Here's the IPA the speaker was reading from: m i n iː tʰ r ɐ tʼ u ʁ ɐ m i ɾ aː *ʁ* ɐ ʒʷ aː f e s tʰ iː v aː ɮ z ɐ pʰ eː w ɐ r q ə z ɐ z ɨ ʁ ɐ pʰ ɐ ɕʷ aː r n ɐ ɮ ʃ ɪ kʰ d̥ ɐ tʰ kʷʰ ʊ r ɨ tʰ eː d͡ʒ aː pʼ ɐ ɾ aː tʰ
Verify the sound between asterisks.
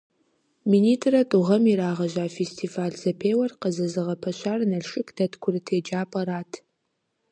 correct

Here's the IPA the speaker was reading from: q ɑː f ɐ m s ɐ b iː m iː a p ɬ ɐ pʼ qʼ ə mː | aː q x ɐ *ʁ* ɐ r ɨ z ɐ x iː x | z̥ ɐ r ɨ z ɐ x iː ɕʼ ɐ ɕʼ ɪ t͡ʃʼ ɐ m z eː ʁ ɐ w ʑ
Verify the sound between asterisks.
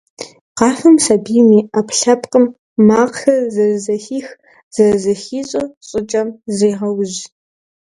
incorrect: z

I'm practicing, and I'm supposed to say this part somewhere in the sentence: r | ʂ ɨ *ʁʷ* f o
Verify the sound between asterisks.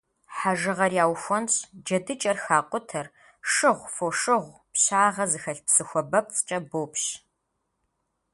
correct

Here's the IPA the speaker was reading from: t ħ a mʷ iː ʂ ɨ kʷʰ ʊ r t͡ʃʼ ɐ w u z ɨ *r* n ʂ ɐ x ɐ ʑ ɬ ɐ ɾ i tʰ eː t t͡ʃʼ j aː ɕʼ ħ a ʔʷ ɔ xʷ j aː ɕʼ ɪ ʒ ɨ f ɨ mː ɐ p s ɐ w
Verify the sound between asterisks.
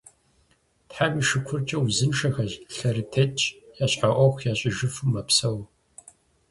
incorrect: none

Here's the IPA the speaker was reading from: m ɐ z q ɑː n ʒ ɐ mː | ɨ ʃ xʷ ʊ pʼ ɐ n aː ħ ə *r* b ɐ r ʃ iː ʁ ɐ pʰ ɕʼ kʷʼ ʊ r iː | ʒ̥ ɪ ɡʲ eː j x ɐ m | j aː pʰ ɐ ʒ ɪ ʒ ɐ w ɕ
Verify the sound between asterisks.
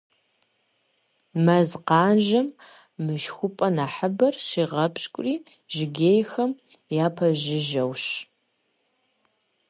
incorrect: none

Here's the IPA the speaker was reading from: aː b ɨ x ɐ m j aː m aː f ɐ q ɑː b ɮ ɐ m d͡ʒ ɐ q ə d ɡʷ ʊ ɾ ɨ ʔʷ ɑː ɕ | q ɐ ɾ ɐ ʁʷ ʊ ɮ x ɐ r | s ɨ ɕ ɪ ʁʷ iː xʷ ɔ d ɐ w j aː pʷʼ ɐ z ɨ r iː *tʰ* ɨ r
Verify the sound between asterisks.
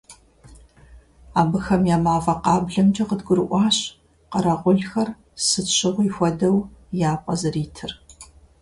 correct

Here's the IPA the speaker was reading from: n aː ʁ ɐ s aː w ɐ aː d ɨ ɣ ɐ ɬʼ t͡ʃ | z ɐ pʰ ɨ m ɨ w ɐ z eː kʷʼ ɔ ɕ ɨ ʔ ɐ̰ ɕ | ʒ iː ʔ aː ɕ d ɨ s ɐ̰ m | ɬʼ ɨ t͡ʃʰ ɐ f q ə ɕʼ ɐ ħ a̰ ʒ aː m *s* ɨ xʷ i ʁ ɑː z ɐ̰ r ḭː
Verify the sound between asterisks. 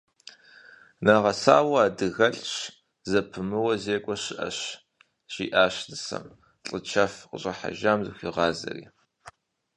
incorrect: z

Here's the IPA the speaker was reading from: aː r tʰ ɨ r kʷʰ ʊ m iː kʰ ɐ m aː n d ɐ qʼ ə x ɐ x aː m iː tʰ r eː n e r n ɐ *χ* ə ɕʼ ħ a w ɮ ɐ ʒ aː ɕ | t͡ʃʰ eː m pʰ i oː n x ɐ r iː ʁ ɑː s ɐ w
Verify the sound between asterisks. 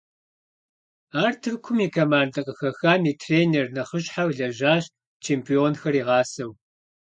correct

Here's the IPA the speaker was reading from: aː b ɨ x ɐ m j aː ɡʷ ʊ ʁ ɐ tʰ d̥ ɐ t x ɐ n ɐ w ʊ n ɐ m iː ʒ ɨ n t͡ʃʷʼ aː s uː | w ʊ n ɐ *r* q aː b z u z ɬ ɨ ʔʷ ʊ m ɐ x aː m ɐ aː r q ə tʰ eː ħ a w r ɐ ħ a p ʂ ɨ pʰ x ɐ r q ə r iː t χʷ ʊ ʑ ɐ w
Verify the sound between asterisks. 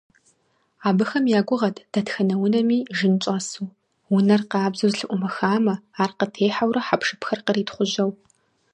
correct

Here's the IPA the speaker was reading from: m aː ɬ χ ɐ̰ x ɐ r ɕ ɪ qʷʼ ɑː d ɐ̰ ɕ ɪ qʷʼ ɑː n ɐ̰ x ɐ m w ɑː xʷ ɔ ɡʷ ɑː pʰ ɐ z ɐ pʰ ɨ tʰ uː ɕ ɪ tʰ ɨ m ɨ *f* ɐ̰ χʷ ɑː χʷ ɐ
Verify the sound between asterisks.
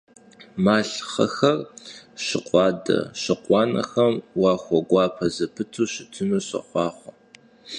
incorrect: ɕ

